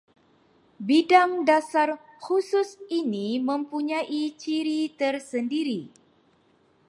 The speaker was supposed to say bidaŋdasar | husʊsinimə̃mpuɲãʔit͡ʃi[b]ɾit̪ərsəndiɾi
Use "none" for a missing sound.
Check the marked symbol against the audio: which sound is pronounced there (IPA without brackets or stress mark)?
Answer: none